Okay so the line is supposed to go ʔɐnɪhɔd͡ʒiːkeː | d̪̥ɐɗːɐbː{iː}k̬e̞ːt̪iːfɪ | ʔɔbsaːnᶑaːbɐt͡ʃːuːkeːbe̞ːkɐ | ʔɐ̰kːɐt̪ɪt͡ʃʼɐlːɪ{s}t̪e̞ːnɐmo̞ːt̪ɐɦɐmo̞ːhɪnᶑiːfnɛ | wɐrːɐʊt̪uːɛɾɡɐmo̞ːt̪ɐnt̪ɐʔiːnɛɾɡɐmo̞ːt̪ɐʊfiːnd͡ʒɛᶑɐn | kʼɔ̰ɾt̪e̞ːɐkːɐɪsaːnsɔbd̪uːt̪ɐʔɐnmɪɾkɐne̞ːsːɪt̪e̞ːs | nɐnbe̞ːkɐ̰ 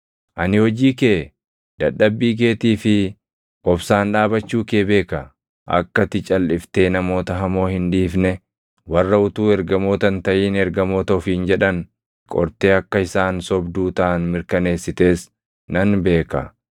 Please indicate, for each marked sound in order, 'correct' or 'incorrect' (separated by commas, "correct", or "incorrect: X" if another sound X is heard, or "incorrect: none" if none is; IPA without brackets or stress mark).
correct, incorrect: f